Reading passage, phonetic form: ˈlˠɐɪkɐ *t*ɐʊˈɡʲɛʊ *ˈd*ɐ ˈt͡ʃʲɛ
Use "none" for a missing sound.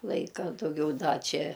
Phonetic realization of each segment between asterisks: d, d

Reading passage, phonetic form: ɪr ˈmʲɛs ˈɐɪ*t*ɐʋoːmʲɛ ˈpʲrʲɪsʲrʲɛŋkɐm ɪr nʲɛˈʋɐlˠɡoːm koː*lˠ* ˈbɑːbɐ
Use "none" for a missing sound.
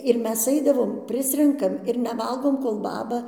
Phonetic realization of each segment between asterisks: d, lˠ

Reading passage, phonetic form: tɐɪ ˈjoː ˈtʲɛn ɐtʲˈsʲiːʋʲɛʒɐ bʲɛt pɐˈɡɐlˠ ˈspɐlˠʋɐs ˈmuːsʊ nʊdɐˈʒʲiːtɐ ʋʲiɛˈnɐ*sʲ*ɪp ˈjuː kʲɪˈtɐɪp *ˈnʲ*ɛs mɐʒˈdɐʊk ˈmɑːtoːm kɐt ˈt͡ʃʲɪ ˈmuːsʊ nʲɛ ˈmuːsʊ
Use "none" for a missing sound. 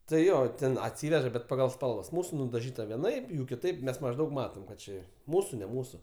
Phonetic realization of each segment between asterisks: none, mʲ

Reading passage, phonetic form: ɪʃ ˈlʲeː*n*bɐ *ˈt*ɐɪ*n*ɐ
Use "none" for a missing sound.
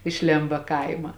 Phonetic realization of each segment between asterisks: m, k, m

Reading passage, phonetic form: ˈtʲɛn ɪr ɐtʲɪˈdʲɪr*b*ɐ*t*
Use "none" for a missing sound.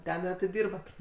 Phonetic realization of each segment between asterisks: b, t

